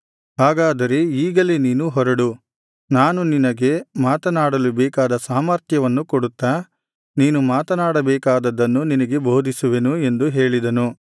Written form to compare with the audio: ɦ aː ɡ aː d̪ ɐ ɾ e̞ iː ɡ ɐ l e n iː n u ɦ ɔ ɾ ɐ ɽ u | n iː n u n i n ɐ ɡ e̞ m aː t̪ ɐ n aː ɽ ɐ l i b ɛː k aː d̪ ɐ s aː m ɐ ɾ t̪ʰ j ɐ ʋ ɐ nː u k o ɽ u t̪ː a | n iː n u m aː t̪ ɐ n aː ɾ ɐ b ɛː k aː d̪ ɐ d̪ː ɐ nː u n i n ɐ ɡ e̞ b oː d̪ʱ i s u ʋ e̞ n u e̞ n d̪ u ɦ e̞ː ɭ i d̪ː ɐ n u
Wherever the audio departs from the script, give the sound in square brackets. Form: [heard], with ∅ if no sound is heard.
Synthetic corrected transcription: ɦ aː ɡ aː d̪ ɐ ɾ e̞ iː ɡ ɐ l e n iː n u ɦ ɔ ɾ ɐ ɽ u | n [aː] n u n i n ɐ ɡ e̞ m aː t̪ ɐ n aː ɽ ɐ l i b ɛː k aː d̪ ɐ s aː m ɐ ɾ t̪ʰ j ɐ ʋ ɐ nː u k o ɽ u t̪ː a | n iː n u m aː t̪ ɐ n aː [ɽ] ɐ b ɛː k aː d̪ ɐ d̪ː ɐ nː u n i n ɐ ɡ e̞ b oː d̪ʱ i s u ʋ e̞ n u e̞ n d̪ u ɦ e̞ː ɭ i [d̪] ɐ n u

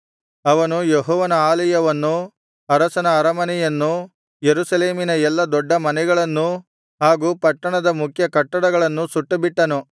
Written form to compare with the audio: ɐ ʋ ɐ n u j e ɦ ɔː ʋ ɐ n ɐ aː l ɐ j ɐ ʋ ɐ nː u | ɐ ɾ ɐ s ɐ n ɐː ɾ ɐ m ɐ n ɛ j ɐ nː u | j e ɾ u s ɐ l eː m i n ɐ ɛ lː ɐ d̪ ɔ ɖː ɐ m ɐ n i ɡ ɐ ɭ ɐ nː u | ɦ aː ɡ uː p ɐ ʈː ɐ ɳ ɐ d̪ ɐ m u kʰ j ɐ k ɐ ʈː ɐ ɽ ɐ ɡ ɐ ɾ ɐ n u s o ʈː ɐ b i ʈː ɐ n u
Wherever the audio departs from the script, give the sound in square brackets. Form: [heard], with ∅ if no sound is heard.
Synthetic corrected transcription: ɐ ʋ ɐ n u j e ɦ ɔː ʋ ɐ n ɐ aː l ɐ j ɐ ʋ ɐ nː u | ɐ ɾ ɐ s ɐ n ɐː ɾ ɐ m ɐ n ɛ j ɐ nː u | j e ɾ u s ɐ l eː m i n ɐ ɛ lː ɐ d̪ ɔ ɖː ɐ m ɐ n [ɛ] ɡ ɐ ɭ ɐ nː u | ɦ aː ɡ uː p ɐ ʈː ɐ ɳ ɐ d̪ ɐ m u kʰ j ɐ k ɐ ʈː ɐ ɽ ɐ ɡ ɐ [ɭ] ɐ [nː] u s [u] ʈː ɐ b i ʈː ɐ n u

